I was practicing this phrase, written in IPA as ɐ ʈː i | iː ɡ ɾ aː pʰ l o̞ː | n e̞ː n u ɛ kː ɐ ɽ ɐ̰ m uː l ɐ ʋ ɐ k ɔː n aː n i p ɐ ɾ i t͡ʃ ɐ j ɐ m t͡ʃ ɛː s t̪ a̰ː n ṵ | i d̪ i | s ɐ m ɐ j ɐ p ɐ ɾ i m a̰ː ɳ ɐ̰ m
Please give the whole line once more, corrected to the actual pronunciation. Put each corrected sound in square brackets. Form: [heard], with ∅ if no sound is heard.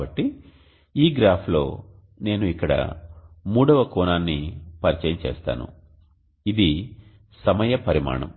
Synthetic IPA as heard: ɐ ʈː i | iː ɡ ɾ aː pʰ l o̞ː | n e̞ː n u [i] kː ɐ ɽ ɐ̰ m uː [ɽ] ɐ ʋ ɐ k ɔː n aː [nː] i p ɐ ɾ i t͡ʃ ɐ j ɐ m t͡ʃ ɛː s t̪ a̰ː n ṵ | i d̪ i | s ɐ m ɐ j ɐ p ɐ ɾ i m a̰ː ɳ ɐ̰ m

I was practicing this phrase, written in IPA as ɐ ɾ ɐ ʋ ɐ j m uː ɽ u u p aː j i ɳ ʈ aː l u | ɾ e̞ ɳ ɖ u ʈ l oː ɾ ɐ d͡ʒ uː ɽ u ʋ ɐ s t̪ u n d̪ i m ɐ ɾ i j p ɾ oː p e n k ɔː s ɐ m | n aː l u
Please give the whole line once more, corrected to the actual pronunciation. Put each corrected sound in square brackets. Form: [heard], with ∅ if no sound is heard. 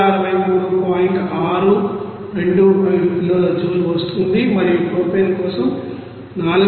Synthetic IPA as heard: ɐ ɾ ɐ ʋ ɐ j m uː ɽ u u p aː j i ɳ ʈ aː [ɾ] u | ɾ e̞ ɳ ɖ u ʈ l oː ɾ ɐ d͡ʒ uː [l] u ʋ ɐ s t̪ u n d̪ i m ɐ ɾ i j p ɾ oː p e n k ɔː s ɐ m | n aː l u

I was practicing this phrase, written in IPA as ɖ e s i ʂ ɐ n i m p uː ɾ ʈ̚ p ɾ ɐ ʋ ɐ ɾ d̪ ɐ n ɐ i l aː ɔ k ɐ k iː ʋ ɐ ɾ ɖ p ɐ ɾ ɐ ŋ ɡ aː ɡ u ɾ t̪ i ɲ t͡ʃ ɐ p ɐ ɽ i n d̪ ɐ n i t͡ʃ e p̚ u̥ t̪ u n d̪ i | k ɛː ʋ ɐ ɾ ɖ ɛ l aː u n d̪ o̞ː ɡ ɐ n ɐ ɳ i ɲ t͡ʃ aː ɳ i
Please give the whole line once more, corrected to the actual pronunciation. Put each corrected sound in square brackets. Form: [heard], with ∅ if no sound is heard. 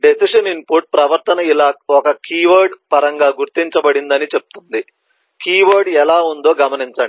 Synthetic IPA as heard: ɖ e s i ʂ ɐ n i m p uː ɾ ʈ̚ p ɾ ɐ ʋ ɐ ɾ [t̪] ɐ n ɐ i l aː ɔ k ɐ k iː ʋ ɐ ɾ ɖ p ɐ ɾ ɐ ŋ ɡ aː ɡ u ɾ t̪ i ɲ t͡ʃ ɐ [b] ɐ ɽ i n d̪ ɐ n i t͡ʃ e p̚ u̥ t̪ u n d̪ i | k [iː] ʋ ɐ ɾ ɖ ɛ l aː u n d̪ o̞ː ɡ ɐ [m] ɐ [n] i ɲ t͡ʃ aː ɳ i

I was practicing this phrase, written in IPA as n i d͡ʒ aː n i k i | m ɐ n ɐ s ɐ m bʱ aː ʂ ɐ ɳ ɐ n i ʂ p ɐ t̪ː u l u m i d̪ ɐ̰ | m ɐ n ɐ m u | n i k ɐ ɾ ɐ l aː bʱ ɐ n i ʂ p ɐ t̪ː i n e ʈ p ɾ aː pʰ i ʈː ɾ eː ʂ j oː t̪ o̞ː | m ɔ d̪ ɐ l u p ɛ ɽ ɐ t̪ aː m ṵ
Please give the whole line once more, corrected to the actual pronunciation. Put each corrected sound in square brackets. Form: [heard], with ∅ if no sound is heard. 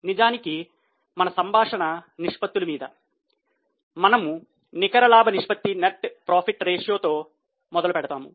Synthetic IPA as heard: n i d͡ʒ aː n i k i | m ɐ n ɐ s ɐ m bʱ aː ʂ ɐ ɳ ɐ n i ʂ p ɐ t̪ː u l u m [iː] d̪ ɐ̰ | m ɐ n ɐ m u | n i k ɐ ɾ ɐ l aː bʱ ɐ n i ʂ p ɐ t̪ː i n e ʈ p ɾ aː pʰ i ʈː ɾ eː ʂ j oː t̪ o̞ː | m ɔ d̪ ɐ l u p ɛ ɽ ɐ t̪ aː m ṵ

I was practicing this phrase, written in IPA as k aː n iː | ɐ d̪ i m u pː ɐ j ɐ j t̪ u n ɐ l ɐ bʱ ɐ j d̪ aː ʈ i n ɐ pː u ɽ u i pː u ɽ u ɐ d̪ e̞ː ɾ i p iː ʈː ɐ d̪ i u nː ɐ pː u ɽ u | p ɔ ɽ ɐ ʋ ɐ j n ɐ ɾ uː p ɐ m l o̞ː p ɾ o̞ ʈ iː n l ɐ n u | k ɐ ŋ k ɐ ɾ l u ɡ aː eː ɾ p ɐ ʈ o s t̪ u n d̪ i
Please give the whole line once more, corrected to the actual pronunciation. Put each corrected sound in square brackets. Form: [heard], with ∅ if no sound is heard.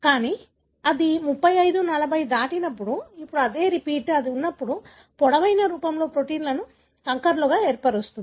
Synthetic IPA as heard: k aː n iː | ɐ d̪ i m u pː ɐ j ɐ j [d̪] u n ɐ l ɐ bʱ ɐ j d̪ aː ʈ i n ɐ pː u ɽ u i pː u ɽ u ɐ d̪ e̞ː ɾ i p iː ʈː ɐ d̪ i u nː ɐ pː u ɽ u | p ɔ ɽ ɐ ʋ ɐ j n ɐ ɾ uː p ɐ m l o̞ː p ɾ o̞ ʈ iː n l ɐ n u | k ɐ ŋ k ɐ ɾ l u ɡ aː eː ɾ p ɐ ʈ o s t̪ u n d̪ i

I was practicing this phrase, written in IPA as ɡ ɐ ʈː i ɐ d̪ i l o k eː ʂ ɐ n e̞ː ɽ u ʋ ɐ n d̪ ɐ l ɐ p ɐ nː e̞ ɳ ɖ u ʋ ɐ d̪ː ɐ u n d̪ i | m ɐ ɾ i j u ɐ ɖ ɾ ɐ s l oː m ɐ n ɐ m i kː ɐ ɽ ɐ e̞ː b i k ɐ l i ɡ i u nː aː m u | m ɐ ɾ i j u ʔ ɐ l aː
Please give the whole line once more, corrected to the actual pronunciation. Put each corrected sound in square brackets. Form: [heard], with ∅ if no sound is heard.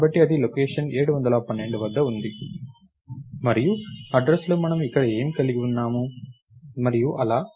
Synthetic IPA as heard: [b] ɐ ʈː i ɐ d̪ i l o k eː ʂ ɐ n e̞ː ɽ u ʋ ɐ n d̪ ɐ l ɐ p ɐ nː e̞ ɳ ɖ u ʋ ɐ d̪ː ɐ u n d̪ i | m ɐ ɾ i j u ɐ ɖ ɾ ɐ s l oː m ɐ n ɐ m i kː ɐ ɽ ɐ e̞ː [m] i k ɐ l i ɡ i u nː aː m u | m ɐ ɾ i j u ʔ ɐ l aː

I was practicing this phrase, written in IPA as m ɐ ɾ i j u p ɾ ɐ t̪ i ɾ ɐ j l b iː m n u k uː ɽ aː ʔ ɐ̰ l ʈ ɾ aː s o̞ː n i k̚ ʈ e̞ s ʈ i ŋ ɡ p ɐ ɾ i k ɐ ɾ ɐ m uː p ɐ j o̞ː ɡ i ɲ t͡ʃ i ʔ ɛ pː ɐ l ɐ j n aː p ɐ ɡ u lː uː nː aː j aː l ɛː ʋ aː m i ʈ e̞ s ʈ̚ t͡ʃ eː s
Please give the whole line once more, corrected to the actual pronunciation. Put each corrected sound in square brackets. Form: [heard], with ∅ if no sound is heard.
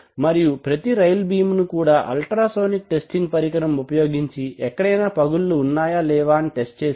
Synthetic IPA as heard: m ɐ ɾ i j u p ɾ ɐ t̪ i ɾ ɐ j l b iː m n u k uː ɽ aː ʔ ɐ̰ l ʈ ɾ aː s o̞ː n i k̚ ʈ e̞ s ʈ i ŋ ɡ p ɐ ɾ i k ɐ ɾ ɐ m [u] p ɐ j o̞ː ɡ i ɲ t͡ʃ i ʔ ɛ [kː] ɐ [ɽ] ɐ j n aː p ɐ ɡ u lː uː nː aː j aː l ɛː ʋ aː [n] i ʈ e̞ s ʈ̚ t͡ʃ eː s

